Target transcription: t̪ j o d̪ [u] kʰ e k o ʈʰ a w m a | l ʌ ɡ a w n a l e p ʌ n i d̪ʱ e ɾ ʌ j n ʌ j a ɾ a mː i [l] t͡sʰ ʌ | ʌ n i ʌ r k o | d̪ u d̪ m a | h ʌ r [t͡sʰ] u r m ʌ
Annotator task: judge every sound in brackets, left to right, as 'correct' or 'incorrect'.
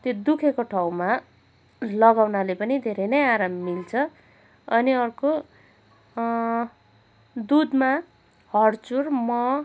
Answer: correct, correct, incorrect

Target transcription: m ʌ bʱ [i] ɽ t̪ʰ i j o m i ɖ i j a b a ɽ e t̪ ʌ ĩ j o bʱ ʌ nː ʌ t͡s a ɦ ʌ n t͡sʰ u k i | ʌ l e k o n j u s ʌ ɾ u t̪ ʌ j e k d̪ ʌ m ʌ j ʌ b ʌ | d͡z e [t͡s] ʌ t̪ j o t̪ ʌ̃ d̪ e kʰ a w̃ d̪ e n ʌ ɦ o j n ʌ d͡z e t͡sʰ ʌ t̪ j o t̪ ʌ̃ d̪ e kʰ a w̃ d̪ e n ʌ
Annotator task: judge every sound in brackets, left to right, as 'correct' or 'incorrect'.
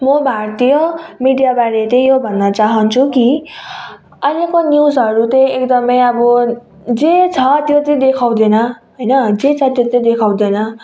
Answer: incorrect, incorrect

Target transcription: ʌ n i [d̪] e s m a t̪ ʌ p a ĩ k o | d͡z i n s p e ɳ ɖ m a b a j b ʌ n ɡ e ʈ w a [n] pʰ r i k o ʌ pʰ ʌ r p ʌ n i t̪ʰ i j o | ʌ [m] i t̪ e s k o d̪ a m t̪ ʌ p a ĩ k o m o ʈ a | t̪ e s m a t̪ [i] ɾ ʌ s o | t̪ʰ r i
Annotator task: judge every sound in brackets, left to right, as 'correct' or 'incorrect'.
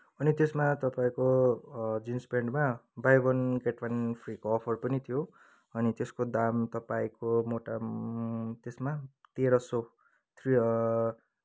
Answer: incorrect, correct, incorrect, incorrect

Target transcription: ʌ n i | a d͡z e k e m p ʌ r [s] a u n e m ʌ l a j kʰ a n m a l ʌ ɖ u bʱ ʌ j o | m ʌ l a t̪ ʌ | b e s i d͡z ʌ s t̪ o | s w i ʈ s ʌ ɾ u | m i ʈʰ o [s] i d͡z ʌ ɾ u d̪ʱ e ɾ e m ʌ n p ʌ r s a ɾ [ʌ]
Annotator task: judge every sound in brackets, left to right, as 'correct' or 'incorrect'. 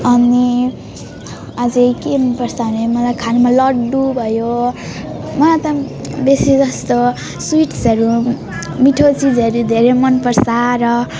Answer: correct, incorrect, correct

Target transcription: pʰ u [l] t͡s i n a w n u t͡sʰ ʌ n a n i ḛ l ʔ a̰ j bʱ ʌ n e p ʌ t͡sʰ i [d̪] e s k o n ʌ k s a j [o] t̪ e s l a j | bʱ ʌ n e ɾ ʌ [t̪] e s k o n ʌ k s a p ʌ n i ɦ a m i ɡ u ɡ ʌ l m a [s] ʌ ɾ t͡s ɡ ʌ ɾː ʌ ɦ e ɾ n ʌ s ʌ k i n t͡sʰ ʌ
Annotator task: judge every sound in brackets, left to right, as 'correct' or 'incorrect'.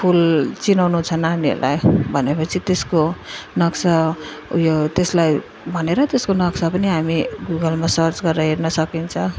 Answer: correct, incorrect, correct, correct, correct

